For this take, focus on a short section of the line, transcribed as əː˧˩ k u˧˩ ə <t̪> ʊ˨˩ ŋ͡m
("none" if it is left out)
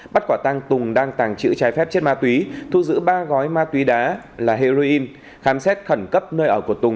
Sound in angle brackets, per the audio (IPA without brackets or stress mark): t̪